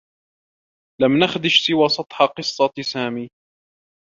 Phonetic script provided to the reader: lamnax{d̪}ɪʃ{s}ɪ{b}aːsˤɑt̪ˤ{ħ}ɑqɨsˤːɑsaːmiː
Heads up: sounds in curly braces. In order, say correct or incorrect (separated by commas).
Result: correct, correct, incorrect, correct